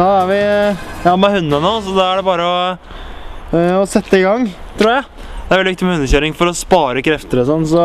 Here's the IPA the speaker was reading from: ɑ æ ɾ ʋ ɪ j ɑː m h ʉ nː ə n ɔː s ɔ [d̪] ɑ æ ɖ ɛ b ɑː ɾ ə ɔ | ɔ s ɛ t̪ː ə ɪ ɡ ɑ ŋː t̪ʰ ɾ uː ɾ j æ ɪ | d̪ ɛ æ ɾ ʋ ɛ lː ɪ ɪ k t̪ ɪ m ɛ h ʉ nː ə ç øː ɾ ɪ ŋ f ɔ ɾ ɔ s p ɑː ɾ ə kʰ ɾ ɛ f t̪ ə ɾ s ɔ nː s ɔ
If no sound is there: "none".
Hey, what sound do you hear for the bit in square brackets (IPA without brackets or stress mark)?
d̪